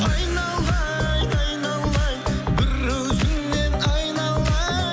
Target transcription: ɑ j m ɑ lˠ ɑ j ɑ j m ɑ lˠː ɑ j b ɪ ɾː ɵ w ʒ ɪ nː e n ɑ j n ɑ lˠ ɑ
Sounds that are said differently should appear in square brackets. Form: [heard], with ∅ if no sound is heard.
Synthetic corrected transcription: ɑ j [n] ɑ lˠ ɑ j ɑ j [n] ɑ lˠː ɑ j b ɪ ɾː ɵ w [z] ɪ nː e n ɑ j n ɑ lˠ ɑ